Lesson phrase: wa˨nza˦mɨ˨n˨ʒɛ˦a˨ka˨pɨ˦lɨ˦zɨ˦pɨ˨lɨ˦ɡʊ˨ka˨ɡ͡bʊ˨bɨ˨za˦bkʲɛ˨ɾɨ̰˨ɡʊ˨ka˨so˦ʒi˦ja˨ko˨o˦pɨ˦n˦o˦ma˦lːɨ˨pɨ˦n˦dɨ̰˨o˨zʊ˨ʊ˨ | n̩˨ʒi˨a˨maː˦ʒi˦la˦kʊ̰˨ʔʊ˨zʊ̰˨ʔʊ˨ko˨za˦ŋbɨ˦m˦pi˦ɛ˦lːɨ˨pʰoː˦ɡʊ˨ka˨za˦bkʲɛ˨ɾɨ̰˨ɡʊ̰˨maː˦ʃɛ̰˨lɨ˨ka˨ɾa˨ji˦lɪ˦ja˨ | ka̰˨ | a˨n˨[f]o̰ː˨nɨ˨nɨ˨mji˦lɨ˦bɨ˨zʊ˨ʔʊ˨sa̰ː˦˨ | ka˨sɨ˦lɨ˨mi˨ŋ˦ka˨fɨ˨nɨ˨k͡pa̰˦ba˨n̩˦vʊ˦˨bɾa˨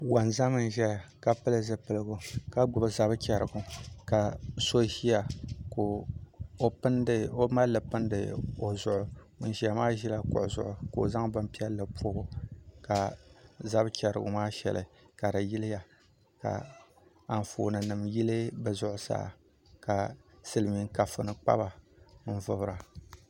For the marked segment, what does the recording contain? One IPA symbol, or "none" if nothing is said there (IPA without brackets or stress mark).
f